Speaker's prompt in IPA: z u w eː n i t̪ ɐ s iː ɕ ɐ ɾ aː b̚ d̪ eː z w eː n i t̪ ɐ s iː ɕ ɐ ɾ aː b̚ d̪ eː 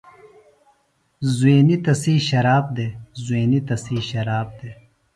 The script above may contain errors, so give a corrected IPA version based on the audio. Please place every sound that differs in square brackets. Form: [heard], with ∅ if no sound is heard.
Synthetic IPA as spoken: z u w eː n i t̪ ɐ s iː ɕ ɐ ɾ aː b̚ d̪ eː z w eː n i t̪ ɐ s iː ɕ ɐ ɾ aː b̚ d̪ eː